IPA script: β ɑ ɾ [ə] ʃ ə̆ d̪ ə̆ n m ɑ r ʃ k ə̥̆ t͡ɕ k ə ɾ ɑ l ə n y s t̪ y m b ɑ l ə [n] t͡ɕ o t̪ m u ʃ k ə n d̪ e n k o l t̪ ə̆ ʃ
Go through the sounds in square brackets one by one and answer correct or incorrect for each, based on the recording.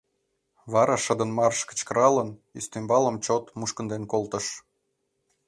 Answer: incorrect: ɑ, incorrect: m

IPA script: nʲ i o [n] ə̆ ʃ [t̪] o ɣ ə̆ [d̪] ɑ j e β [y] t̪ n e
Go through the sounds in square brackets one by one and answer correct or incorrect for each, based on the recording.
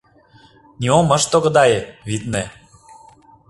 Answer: incorrect: m, correct, correct, incorrect: i

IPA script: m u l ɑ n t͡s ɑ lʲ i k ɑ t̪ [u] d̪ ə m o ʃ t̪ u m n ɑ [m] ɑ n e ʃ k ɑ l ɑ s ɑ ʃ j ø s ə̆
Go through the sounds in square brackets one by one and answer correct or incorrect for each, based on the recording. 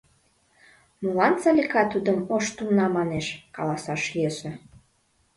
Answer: correct, correct

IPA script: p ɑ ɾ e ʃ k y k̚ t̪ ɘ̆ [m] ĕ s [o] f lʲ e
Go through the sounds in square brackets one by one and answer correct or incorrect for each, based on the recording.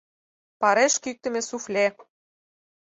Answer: correct, incorrect: u

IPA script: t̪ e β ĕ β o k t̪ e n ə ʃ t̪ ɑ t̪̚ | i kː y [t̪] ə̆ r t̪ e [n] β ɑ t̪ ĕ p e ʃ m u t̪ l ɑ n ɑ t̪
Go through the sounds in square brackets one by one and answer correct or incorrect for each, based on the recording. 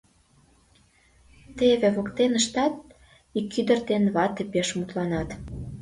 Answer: incorrect: d̪, correct

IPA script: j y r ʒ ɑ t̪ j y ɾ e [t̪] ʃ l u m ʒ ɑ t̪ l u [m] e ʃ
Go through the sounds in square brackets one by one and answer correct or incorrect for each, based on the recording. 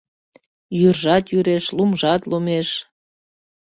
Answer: incorrect: none, correct

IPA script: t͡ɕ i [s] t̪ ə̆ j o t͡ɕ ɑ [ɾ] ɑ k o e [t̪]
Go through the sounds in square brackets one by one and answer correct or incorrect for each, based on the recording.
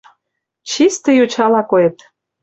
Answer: correct, incorrect: l, correct

